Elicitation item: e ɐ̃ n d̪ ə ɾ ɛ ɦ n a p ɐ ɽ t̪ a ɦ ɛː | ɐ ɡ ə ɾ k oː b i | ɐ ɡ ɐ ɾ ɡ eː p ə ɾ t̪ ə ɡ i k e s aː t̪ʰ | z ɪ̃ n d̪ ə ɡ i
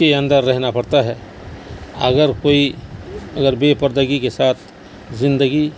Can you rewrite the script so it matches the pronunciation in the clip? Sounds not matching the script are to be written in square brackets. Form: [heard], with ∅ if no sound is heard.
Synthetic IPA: e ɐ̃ n d̪ ə [ɾː] ɛ ɦ n a p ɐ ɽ t̪ a ɦ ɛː | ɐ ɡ ə ɾ k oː [∅] i | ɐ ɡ [ə] ɾ [b] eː p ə ɾ [d̪] ə ɡ i k e s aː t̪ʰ | z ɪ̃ n d̪ ə ɡ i